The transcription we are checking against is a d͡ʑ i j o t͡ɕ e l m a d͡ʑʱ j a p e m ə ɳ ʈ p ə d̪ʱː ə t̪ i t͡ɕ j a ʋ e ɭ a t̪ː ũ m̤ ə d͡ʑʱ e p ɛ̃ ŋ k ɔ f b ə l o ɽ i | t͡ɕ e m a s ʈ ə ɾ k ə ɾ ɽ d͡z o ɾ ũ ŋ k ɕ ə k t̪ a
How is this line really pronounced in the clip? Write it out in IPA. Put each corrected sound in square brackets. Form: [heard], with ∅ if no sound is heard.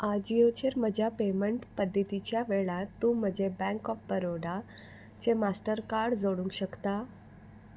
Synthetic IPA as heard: a d͡ʑ i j o t͡ɕ e [ɾ] m [ə] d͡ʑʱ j a p e m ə ɳ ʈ p ə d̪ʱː ə t̪ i t͡ɕ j a ʋ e ɭ a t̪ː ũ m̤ ə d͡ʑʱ e [b] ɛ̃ ŋ k ɔ f b ə [ɾ] o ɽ [a] | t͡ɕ e m a s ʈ ə ɾ k [a] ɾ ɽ d͡z o [ɽ] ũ ŋ k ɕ ə k t̪ a

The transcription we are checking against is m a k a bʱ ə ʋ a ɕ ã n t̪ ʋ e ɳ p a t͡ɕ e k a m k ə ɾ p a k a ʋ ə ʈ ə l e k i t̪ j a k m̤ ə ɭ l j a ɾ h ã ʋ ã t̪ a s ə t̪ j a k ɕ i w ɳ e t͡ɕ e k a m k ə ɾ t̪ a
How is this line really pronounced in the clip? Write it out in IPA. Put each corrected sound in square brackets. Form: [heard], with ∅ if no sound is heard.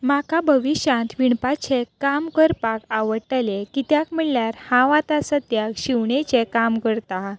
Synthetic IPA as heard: m a k a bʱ ə ʋ [i] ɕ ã n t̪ ʋ [i] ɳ p a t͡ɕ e k a m k ə ɾ p a k a ʋ ə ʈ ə l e k i t̪ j a k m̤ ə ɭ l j a ɾ h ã ʋ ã t̪ a s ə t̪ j a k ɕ i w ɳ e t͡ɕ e k a m k ə ɾ t̪ a

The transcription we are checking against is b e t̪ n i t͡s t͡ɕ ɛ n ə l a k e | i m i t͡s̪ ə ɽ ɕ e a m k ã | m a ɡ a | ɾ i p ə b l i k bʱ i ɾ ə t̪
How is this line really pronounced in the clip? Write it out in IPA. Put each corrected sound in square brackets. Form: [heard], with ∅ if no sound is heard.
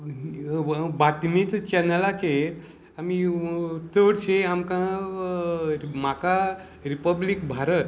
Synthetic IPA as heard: b [a] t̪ [m] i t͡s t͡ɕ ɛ n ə l a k e | [a] m i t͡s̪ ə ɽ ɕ e a m k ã | m a [k] a | ɾ i p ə b l i k bʱ [a] ɾ ə t̪

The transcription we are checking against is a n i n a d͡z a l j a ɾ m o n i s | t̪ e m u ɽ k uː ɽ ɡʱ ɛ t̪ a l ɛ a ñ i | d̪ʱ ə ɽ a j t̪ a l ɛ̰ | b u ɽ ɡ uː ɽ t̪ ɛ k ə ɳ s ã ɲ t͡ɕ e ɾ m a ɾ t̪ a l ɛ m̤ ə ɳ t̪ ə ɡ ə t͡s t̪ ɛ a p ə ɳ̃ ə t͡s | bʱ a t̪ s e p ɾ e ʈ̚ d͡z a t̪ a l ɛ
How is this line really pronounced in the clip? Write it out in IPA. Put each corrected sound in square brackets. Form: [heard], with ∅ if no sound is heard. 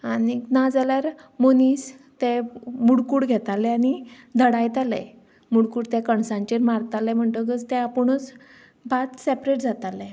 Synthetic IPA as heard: a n i n a d͡z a l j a ɾ m o n i s | t̪ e m u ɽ k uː ɽ ɡʱ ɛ t̪ a l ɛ a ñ i | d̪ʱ ə ɽ a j t̪ a l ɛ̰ | [m] u ɽ [k] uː ɽ t̪ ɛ k ə ɳ s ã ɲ t͡ɕ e ɾ m a ɾ t̪ a l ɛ m̤ ə ɳ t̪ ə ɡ ə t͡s t̪ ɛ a p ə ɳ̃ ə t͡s | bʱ a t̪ s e p ɾ e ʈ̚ d͡z a t̪ a l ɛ

